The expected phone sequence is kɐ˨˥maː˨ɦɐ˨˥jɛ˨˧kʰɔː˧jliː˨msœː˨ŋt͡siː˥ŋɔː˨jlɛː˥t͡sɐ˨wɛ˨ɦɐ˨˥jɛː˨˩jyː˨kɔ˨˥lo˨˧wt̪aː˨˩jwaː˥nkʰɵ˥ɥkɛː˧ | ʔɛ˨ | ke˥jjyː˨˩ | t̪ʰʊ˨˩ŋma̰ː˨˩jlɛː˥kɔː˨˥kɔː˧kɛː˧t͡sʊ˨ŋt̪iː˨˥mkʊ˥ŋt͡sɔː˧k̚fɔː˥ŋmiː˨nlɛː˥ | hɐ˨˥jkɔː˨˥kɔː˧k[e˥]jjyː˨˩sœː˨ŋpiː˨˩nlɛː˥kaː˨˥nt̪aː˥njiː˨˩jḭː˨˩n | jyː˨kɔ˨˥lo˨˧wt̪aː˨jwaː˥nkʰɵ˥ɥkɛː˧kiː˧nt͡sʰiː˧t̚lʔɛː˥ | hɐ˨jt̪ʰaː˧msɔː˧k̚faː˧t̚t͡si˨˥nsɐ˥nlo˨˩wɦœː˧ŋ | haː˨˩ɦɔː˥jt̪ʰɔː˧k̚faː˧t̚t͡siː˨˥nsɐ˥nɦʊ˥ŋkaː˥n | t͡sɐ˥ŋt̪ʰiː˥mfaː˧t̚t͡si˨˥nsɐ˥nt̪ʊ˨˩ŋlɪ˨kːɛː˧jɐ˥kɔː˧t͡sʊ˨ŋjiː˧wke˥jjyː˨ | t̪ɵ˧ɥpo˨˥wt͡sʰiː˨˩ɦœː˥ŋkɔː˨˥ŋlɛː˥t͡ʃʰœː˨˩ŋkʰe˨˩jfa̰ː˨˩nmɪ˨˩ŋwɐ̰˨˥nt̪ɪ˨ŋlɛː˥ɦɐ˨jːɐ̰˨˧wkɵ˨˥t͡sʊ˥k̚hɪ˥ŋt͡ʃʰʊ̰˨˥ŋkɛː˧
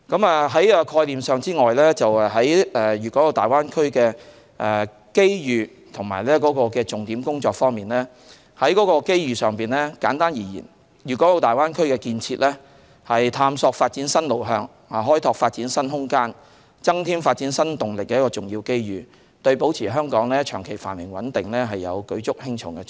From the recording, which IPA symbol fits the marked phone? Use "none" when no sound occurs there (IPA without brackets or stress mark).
e˥